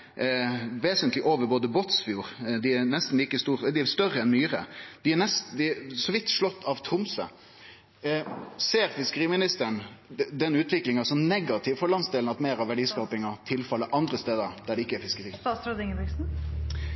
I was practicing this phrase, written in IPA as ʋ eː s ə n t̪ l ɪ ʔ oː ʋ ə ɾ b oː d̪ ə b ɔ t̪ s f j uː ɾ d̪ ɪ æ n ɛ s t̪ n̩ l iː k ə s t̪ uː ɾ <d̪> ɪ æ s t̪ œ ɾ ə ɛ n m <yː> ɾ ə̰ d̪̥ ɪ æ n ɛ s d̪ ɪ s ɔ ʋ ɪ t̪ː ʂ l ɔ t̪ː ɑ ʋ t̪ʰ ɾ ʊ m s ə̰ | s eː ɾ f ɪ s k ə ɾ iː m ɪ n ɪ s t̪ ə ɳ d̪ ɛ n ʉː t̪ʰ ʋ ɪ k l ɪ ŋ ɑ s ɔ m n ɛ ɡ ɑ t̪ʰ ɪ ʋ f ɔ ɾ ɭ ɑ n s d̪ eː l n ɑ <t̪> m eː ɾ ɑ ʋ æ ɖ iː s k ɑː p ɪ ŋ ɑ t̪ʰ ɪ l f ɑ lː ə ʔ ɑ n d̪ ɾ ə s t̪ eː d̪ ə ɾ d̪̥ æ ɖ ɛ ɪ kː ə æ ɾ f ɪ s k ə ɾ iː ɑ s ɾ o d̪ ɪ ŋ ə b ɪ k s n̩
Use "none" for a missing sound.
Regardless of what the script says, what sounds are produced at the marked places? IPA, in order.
d̪, yː, t̪

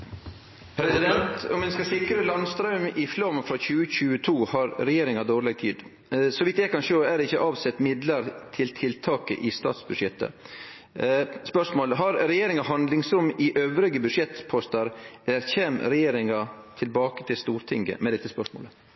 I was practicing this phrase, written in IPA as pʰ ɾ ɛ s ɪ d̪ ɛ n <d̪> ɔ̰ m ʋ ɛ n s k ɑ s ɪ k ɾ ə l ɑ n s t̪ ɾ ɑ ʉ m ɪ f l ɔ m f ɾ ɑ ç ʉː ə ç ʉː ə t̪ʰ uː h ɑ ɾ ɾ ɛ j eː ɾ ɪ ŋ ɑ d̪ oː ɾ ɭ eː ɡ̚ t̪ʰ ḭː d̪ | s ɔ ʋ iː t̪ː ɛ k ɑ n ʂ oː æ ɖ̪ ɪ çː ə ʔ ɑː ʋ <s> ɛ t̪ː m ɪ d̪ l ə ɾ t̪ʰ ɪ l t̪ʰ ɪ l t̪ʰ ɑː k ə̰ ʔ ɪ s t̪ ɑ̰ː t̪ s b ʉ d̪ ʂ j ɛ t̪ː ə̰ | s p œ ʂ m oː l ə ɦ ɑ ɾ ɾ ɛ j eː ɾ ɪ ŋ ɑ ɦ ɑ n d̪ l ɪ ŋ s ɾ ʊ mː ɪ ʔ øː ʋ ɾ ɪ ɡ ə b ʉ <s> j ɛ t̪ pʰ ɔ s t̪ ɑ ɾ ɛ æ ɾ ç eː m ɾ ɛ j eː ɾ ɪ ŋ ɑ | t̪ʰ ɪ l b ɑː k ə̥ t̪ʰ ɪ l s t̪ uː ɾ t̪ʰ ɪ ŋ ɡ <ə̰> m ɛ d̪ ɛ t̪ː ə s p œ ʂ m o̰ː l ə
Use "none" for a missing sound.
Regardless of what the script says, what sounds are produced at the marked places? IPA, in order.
t̪, s, ʂ, ə̰

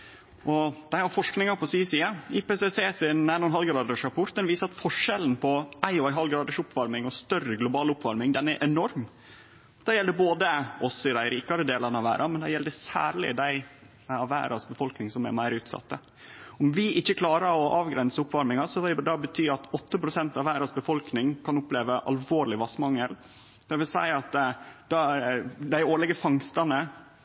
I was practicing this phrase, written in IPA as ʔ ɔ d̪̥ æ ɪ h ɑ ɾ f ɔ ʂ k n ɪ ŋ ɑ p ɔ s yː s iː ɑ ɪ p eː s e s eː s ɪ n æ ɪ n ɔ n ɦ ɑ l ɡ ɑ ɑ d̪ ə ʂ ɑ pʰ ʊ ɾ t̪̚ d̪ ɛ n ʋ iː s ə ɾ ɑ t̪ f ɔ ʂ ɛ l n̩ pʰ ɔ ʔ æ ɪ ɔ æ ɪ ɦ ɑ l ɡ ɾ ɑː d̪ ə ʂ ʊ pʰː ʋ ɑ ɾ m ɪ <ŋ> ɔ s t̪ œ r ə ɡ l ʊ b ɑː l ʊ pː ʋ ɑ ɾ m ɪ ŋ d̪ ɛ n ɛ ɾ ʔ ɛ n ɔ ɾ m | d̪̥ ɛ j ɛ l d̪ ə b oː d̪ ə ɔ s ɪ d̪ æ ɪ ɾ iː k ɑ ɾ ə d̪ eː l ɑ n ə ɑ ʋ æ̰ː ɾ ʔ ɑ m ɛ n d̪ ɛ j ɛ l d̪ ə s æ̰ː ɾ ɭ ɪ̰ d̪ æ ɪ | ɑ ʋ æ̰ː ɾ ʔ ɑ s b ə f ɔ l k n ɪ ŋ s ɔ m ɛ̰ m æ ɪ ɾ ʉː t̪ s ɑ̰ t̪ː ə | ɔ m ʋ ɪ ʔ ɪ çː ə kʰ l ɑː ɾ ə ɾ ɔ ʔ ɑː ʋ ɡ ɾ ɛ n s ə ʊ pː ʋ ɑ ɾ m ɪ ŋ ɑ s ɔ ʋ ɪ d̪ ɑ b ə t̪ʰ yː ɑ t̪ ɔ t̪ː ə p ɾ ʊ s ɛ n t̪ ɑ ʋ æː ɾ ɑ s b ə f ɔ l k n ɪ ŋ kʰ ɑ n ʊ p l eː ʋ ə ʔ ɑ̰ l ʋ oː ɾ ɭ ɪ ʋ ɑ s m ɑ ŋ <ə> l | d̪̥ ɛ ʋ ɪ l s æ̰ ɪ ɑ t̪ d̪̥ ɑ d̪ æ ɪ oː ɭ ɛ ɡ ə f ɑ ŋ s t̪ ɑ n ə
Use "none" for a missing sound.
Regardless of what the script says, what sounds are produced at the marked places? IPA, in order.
ŋ, ə

